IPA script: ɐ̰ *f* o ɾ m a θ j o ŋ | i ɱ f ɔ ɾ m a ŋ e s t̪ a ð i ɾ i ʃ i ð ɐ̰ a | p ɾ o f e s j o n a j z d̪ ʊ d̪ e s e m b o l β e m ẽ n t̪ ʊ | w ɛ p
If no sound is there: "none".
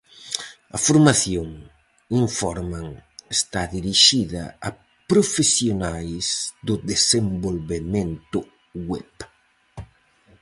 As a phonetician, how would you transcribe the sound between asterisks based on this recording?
f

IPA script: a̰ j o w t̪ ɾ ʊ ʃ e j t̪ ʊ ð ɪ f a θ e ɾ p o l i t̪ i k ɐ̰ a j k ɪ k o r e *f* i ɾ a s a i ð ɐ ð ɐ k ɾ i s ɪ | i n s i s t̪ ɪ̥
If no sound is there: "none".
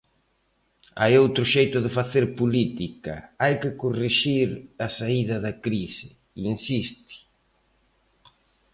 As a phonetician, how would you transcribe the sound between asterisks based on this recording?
ʃ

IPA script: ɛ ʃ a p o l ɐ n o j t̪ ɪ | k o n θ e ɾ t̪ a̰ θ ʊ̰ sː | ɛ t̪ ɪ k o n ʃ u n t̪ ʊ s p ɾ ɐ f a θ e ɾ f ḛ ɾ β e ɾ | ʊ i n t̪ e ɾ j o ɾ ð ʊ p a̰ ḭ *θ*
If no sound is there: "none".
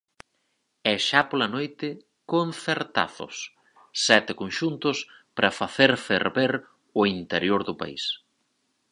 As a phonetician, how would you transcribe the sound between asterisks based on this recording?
s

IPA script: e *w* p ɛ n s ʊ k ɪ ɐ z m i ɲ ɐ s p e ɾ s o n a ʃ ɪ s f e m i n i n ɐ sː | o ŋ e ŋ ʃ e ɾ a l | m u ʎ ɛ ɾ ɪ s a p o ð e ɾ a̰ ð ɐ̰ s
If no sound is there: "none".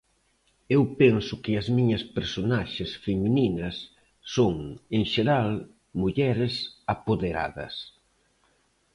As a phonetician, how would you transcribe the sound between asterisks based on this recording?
w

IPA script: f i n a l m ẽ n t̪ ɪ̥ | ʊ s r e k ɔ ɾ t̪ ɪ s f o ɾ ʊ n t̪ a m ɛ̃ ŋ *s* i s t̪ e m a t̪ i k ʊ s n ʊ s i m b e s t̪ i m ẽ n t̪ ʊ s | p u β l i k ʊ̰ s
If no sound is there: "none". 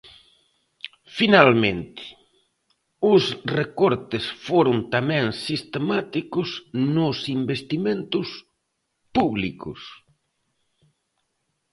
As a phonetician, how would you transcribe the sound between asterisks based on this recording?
s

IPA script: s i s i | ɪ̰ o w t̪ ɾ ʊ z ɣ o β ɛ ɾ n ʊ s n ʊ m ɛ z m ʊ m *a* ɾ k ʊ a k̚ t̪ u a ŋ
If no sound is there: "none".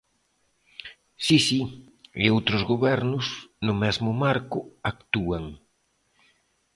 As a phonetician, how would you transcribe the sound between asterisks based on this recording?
a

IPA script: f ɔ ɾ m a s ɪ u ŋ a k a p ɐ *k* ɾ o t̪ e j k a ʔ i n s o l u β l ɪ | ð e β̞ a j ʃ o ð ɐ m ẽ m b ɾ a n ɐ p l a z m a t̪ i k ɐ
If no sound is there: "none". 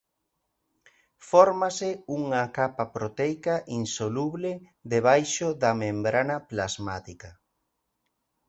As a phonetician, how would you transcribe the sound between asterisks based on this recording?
p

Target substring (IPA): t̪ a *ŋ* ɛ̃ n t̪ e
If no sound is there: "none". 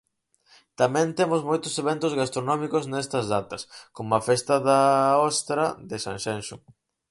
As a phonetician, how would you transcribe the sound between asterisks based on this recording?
m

